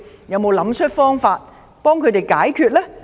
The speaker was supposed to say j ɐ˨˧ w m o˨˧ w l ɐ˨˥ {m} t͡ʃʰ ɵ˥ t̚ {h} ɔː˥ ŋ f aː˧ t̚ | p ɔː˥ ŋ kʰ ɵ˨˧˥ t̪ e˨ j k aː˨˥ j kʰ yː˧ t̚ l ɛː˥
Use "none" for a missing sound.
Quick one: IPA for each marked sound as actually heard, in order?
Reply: m, f

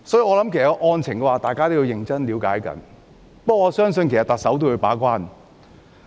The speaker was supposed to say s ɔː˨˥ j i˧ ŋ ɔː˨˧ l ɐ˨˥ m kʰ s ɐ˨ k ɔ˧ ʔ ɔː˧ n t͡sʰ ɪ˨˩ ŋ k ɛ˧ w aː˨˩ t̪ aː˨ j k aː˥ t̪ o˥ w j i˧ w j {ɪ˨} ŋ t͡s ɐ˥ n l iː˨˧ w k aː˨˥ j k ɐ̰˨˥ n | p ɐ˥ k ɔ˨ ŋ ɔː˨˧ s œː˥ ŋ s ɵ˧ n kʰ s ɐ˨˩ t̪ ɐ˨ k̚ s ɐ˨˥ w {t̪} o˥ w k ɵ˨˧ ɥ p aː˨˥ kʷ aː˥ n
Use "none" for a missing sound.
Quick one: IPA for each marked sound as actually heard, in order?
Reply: ɪ˨, t̪

